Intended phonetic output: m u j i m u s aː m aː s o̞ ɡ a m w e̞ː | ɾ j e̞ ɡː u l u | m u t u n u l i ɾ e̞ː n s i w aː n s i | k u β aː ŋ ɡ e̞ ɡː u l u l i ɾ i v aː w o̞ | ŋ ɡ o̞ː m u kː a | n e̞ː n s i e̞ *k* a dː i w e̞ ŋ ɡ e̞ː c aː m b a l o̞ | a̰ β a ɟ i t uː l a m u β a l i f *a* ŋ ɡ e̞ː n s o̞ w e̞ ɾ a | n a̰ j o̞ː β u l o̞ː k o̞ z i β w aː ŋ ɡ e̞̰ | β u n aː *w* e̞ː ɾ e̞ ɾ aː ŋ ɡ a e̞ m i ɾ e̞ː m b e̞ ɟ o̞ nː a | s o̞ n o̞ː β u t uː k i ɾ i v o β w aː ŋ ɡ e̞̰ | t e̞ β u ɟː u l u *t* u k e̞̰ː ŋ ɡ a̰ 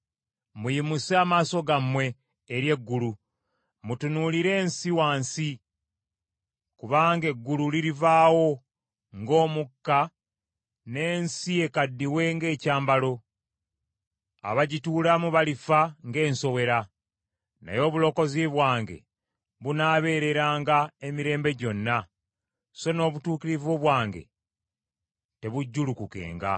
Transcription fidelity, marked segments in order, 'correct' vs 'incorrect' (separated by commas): correct, correct, incorrect, incorrect